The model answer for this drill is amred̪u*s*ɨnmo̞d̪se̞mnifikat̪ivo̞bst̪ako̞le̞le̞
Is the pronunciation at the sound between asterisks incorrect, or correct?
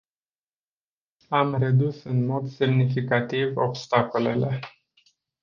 correct